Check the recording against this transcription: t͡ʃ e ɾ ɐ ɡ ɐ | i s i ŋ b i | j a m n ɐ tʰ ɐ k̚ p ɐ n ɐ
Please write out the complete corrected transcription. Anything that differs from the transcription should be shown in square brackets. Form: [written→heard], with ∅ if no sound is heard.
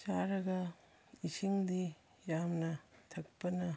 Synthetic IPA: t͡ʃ [e→a] ɾ ɐ ɡ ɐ | i s i ŋ [b→d] i | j a m n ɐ tʰ ɐ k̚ p ɐ n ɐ